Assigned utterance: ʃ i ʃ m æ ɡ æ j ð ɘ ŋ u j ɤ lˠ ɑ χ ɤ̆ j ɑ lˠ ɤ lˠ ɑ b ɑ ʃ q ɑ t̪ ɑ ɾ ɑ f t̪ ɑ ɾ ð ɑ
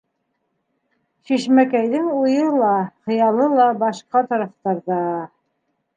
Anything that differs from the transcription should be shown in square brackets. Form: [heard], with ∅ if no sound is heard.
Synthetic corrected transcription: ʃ i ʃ m æ [k] æ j ð ɘ ŋ u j ɤ lˠ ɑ χ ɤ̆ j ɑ lˠ ɤ lˠ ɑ b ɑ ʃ q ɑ t̪ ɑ ɾ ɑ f t̪ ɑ ɾ ð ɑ